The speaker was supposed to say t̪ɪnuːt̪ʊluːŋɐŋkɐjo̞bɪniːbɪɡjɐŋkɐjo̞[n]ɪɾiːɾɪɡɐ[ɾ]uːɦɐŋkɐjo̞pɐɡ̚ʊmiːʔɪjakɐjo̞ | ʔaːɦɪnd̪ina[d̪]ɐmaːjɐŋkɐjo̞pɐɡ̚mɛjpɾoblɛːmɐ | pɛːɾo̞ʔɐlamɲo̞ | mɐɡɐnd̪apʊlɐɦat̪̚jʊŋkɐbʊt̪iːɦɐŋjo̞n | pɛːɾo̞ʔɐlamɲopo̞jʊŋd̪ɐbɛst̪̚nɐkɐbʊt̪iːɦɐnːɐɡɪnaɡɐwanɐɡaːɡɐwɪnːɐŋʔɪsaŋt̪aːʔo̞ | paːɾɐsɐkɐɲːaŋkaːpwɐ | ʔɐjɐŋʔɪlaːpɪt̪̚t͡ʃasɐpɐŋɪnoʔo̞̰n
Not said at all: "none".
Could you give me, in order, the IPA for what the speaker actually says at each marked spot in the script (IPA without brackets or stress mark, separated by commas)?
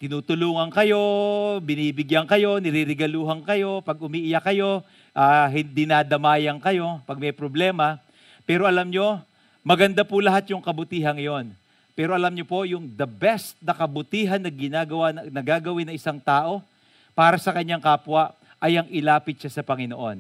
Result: n, l, d̪